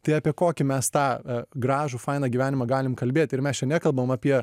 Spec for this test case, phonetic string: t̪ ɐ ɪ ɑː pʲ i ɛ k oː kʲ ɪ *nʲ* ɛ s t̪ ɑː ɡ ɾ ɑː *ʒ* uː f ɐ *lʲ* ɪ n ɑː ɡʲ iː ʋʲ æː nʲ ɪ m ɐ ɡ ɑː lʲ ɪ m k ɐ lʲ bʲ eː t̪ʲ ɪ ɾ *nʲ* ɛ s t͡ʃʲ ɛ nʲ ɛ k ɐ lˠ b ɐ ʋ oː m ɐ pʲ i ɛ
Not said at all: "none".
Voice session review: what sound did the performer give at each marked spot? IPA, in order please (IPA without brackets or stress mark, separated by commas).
mʲ, ʒ, none, mʲ